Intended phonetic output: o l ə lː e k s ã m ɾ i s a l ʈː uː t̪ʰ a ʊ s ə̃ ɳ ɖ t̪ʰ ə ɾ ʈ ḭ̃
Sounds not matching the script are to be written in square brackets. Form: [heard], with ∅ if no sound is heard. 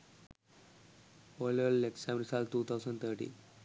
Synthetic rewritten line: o l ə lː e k s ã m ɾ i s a l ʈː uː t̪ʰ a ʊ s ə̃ ɳ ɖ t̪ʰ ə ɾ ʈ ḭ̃